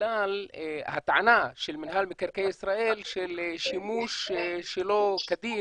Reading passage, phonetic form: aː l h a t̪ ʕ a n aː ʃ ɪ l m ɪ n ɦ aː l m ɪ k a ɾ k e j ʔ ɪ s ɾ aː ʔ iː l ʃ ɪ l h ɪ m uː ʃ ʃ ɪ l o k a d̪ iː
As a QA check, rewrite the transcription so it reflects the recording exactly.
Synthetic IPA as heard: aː l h a t̪ ʕ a n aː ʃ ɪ l m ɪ n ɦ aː l m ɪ k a ɾ k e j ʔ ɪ s ɾ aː ʔ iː l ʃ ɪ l ʃ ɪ m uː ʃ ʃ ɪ l o k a d̪ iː